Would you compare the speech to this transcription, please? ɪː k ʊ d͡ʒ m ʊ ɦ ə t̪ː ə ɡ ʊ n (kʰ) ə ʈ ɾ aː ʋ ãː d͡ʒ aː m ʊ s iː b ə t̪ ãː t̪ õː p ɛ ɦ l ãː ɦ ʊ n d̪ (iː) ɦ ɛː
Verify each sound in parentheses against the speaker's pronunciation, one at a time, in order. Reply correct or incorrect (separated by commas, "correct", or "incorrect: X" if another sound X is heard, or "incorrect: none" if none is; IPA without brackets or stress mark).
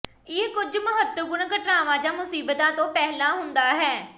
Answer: incorrect: k, incorrect: aː